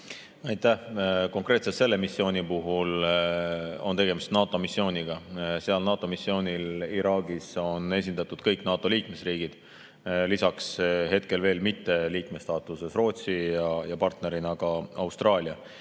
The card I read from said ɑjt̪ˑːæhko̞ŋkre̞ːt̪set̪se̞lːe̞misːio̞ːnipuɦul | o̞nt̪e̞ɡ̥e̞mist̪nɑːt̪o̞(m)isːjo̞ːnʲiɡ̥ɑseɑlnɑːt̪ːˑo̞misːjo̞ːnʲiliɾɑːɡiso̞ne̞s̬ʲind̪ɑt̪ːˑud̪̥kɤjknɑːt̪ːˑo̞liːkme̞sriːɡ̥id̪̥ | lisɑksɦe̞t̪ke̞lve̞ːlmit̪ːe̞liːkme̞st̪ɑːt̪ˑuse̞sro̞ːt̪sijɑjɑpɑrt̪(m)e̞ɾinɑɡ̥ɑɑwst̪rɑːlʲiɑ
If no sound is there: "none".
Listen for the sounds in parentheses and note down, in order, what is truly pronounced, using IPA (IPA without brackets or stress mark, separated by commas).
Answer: m, n